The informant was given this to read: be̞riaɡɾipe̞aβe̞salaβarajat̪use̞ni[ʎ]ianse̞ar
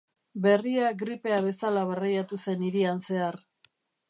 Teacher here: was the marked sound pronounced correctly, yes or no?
no